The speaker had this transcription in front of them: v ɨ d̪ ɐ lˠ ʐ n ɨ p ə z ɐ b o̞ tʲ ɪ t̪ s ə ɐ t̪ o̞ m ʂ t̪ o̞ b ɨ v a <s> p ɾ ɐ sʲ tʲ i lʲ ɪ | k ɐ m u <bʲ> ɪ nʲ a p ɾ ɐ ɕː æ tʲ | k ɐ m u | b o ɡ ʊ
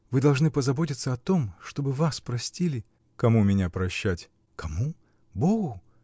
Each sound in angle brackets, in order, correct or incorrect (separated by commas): correct, incorrect